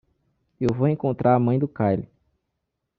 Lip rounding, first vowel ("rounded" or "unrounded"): unrounded